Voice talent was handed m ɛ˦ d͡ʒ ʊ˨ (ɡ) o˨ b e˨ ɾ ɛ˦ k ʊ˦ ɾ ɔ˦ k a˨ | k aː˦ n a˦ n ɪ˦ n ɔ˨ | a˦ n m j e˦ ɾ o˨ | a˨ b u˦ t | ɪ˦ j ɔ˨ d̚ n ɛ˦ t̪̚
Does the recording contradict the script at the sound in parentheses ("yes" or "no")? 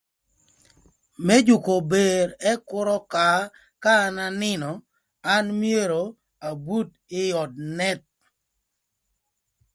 yes